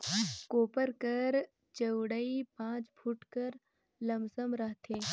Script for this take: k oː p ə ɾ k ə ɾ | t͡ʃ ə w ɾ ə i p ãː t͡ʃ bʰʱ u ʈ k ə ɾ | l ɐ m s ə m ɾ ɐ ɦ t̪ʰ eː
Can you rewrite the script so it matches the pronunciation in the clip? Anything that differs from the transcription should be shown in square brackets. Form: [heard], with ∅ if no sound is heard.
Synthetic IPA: k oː p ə ɾ k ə ɾ | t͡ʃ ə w [ɽ] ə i p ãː t͡ʃ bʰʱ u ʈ k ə ɾ | l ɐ m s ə m ɾ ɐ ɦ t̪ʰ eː